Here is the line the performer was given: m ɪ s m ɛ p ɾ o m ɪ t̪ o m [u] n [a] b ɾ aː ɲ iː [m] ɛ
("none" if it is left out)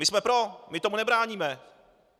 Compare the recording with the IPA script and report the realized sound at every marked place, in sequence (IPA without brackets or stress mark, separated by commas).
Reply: u, ɛ, m